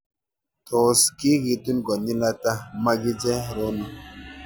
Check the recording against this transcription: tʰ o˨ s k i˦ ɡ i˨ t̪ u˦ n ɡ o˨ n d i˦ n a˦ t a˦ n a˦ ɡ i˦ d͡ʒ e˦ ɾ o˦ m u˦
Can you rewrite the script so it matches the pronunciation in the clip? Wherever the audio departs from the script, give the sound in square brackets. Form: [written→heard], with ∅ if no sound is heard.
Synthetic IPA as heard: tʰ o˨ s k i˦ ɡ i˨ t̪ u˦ n ɡ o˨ n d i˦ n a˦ t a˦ [n→m] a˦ ɡ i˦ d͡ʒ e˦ ɾ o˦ [m→n] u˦